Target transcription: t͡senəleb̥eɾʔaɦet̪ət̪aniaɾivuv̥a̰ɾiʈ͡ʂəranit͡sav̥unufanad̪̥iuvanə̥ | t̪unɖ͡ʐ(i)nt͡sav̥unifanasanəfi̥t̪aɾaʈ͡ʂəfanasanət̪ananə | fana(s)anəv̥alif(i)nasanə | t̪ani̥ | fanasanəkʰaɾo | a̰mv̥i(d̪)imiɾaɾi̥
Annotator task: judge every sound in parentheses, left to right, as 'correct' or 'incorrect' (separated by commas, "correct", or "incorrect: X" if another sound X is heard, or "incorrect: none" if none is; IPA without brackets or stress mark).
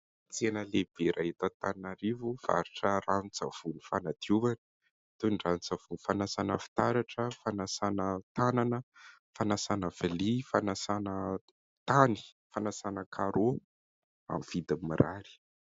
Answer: incorrect: a, correct, incorrect: a, correct